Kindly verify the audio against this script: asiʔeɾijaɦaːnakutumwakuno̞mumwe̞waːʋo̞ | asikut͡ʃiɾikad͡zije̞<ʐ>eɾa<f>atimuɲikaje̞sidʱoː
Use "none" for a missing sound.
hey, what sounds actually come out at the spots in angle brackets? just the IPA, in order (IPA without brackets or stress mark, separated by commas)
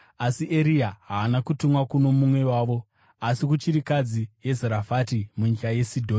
z, f